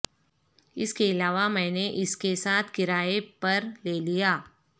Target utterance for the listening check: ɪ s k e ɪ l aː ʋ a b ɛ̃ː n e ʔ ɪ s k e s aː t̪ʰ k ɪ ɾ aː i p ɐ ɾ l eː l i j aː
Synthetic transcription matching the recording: ɪ s k e ɪ l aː ʋ a m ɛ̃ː n e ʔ ɪ s k e s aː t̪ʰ k ɪ ɾ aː e p ɐ ɾ l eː l i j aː